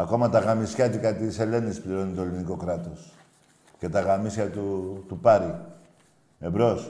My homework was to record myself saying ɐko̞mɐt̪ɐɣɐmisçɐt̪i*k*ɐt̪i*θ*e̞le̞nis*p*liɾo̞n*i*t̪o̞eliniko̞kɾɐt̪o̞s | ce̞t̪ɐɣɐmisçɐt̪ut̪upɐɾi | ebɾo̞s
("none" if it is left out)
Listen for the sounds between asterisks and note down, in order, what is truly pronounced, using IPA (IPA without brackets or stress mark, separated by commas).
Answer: k, s, p, i